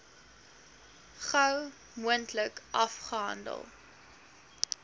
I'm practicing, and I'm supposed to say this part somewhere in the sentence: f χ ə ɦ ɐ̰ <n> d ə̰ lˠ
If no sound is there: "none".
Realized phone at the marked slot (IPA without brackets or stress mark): n